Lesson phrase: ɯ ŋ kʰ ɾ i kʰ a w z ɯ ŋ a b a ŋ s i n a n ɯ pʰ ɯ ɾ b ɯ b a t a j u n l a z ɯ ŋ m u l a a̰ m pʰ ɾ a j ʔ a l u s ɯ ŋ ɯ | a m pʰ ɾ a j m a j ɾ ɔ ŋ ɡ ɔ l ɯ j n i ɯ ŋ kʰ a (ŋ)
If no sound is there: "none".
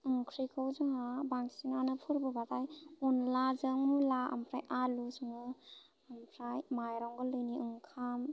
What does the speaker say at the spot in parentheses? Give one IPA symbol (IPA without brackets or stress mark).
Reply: m